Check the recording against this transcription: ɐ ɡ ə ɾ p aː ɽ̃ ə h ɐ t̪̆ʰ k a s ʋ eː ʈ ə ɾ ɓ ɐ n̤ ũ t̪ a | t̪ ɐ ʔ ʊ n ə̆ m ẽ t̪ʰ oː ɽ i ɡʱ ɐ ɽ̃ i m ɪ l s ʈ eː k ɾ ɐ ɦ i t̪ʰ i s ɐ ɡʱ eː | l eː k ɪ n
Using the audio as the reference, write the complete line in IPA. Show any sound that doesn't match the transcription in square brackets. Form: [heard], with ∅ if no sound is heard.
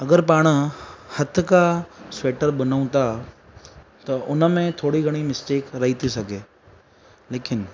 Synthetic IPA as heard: ɐ ɡ ə ɾ p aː ɽ̃ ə h ɐ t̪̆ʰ k a s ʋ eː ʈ ə ɾ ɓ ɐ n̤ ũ t̪ a | t̪ ɐ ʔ ʊ n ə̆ m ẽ t̪ʰ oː ɽ i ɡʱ ɐ ɽ̃ i m ɪ [∅] s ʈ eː k ɾ ɐ ɦ i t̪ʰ i s ɐ ɡʱ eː | l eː k ɪ n